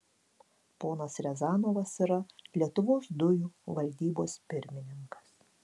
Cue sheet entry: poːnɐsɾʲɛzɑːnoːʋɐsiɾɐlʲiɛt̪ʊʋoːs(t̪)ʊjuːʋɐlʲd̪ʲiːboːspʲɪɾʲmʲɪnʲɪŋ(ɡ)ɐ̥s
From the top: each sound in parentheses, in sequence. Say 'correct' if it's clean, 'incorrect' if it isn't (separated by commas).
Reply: incorrect, incorrect